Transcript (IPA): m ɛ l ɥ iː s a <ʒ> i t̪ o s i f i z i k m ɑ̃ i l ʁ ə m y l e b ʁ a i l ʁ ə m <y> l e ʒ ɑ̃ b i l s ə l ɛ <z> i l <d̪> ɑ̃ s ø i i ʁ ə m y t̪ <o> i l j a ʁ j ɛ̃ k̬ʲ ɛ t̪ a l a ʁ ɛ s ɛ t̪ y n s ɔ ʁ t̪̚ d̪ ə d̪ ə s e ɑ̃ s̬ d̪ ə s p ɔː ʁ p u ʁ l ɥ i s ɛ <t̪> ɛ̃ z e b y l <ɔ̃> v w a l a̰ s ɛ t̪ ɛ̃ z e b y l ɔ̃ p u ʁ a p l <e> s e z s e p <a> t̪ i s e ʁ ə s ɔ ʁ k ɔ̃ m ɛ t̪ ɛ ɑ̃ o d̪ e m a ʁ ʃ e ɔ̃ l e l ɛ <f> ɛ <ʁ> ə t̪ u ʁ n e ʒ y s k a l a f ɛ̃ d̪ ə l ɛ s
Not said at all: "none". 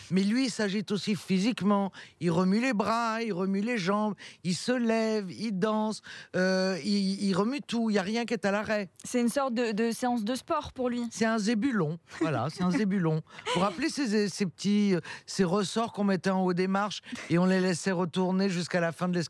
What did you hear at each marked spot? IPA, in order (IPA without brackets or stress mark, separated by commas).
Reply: ʒ, y, v, d̪, u, t̪, ɔ̃, e, ə, s, ʁ